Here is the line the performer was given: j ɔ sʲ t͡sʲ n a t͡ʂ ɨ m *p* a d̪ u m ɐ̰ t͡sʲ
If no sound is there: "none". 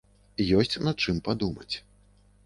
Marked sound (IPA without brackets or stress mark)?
p